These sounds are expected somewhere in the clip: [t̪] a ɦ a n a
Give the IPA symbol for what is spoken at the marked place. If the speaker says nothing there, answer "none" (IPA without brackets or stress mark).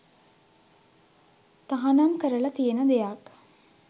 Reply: t̪